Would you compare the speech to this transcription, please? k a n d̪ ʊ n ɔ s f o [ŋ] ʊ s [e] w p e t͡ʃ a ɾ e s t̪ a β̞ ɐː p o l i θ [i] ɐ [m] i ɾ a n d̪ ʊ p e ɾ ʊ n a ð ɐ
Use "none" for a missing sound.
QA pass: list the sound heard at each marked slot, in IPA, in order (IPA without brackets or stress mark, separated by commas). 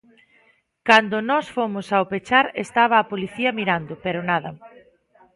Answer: m, a, i, m